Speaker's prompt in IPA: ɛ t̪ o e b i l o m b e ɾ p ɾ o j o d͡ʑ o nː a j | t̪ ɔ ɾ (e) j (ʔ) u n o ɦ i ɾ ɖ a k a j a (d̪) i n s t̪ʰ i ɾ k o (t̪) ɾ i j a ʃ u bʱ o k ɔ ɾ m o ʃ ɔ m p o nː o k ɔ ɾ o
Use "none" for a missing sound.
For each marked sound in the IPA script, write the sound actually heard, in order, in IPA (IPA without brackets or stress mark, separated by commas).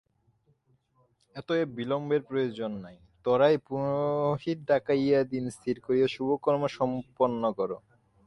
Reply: a, p, d̪, none